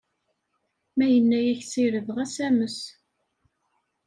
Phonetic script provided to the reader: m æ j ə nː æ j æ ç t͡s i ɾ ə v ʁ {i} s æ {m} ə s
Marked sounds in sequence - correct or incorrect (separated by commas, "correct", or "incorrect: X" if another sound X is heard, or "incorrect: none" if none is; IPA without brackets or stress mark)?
incorrect: æ, correct